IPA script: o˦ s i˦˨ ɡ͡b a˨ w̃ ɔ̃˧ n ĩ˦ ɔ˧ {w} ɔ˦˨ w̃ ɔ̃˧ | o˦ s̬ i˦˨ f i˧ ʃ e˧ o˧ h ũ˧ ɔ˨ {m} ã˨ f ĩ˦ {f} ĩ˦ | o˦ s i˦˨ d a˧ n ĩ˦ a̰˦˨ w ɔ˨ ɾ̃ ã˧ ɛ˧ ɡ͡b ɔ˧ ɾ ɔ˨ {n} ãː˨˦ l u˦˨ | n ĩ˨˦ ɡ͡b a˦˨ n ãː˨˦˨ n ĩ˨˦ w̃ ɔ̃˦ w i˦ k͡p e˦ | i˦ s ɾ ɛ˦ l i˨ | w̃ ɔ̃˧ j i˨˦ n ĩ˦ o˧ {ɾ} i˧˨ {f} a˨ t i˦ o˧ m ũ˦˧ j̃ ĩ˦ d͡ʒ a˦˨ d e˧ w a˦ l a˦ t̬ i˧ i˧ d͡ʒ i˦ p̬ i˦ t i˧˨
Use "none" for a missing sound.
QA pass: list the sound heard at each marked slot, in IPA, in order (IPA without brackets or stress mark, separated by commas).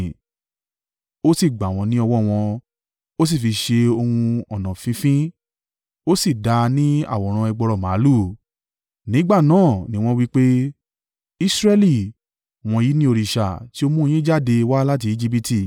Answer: w, n, f, m, ɾ, ʃ